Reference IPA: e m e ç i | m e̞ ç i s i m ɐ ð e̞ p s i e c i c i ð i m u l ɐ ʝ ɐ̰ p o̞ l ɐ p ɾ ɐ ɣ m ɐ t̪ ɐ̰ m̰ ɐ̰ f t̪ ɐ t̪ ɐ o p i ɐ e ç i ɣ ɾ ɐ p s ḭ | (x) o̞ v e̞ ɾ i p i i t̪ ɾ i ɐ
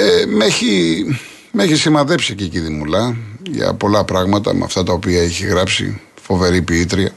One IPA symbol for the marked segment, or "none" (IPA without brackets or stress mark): f